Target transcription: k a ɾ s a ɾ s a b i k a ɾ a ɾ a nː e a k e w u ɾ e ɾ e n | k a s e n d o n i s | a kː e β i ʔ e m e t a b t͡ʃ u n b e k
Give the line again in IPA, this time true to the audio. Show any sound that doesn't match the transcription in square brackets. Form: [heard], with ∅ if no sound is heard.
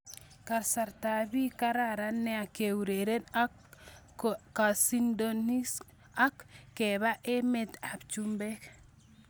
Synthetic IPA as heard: k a ɾ s a ɾ [t] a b i k a ɾ a ɾ a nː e a k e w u ɾ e ɾ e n | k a s [i] n d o n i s | a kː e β [a] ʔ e m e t a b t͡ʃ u [m] b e k